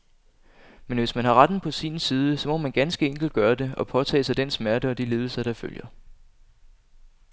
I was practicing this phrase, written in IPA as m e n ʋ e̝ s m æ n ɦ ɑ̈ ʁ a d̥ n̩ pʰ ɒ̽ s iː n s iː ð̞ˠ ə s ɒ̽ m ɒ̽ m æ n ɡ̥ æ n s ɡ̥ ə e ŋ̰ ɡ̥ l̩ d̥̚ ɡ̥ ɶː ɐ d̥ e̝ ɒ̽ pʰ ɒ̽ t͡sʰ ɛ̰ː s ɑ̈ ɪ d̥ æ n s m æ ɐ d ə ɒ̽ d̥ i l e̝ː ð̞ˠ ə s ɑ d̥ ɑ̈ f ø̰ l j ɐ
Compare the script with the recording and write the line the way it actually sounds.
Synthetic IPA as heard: m e n ʋ e̝ s m æ n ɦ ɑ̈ ʁ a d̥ n̩ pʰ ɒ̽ s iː n s iː ð̞ˠ ə s ɒ̽ m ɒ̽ m æ n ɡ̥ æ n s ɡ̥ ə e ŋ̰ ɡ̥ l̩ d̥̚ ɡ̥ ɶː ɐ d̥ e̝ ɒ̽ pʰ ɒ̽ t͡sʰ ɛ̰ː s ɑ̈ ɪ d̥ e n s m æ ɐ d ə ɒ̽ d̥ i l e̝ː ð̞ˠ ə s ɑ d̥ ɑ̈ f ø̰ l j ɐ

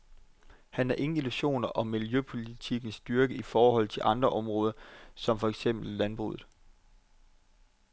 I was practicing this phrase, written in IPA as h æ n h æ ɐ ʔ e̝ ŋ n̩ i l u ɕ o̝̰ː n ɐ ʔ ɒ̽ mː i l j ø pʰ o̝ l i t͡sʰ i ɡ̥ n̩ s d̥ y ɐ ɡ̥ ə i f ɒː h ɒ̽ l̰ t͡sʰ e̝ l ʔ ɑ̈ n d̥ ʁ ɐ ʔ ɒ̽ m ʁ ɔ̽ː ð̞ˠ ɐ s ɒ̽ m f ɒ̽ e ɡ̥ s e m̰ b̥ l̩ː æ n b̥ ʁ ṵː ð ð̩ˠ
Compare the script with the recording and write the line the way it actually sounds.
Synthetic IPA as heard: h æ n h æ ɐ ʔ e̝ ŋ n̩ i l u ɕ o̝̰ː n ɐ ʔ ɒ̽ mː i l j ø pʰ o̝ l i t͡sʰ i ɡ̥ n̩ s d̥ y ɐ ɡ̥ ə i f ɒː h ɒ̽ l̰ t͡sʰ e̝ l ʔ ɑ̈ n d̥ ʁ ɐ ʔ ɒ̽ m ʁ ɔ̽ː ð̞ˠ ɐ s ɒ̽ m f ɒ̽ e ɡ̥ s e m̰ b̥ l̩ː æ n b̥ ʁ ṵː ð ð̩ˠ

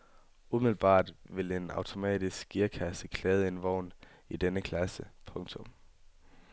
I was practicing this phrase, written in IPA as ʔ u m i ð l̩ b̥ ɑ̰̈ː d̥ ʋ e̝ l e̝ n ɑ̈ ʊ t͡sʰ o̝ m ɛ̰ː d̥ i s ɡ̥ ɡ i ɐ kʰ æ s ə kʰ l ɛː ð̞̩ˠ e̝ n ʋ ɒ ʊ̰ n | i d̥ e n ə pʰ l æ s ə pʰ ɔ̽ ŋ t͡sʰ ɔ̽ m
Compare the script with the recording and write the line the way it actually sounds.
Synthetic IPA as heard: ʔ u m i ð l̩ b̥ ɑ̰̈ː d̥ ʋ e̝ l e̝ n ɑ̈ ʊ t͡sʰ o̝ m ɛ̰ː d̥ i s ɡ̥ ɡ i ɐ kʰ æ s ə kʰ l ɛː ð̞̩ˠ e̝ n ʋ ɒ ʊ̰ n | i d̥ e n ə kʰ l æ s ə pʰ ɔ̽ ŋ t͡sʰ ɔ̽ m

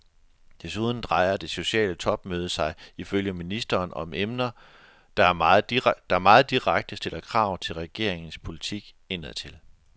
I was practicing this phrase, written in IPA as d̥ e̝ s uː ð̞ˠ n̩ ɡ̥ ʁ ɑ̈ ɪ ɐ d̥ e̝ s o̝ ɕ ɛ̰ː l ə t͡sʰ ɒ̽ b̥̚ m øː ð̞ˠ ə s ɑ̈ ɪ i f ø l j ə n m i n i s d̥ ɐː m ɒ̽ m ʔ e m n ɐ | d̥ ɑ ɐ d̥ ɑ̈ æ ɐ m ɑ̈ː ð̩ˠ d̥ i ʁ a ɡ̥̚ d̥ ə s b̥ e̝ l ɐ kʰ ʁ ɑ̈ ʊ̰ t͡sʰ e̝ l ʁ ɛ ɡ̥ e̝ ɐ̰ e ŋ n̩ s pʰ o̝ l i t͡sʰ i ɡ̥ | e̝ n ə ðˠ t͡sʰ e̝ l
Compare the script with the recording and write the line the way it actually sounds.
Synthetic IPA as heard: d̥ e̝ s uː ð̞ˠ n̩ d̥ ʁ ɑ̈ ɪ ɐ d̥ e̝ s o̝ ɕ ɛ̰ː l ə t͡sʰ ɒ̽ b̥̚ m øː ð̞ˠ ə s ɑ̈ ɪ i f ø l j ə m i n i s d̥ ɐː n ɒ̽ m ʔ e m n ɐ | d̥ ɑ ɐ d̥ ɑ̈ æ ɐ m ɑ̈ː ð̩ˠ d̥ i ʁ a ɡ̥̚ d̥ ə s d̥ e̝ l ɐ kʰ ʁ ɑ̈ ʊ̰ t͡sʰ e̝ l ʁ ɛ ɡ̥ e̝ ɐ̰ e ŋ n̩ s pʰ o̝ l i t͡sʰ i ɡ̥ | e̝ n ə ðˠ t͡sʰ e̝ l

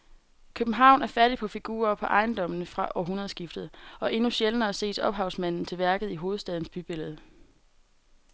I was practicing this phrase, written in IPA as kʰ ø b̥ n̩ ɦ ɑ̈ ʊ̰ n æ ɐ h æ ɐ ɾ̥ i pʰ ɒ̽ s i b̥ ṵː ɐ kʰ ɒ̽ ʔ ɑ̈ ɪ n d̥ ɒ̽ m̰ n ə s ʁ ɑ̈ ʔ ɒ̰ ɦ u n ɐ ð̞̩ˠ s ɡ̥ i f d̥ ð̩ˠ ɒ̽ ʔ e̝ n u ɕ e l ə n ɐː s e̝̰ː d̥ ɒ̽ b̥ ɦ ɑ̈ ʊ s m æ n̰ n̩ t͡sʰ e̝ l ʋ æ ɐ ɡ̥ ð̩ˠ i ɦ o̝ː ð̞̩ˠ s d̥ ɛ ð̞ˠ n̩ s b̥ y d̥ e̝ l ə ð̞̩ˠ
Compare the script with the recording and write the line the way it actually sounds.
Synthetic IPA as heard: kʰ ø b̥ n̩ ɦ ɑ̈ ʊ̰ n æ ɐ f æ ɐ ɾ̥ i pʰ ɒ̽ f i ɡ̥ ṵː ɐ pʰ ɒ̽ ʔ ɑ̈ ɪ n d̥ ɒ̽ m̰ n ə f ʁ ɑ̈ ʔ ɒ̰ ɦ u n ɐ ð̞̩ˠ s ɡ̥ i f d̥ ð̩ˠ ɒ̽ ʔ e̝ n u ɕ e l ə n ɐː s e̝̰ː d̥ ɒ̽ b̥ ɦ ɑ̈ ʊ s m æ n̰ n̩ t͡sʰ e̝ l ʋ æ ɐ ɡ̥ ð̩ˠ i ɦ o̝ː ð̞̩ˠ s d̥ ɛ ð̞ˠ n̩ s b̥ y b̥ e̝ l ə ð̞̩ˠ

